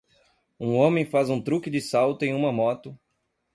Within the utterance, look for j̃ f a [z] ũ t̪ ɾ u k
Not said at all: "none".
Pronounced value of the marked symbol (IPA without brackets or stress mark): z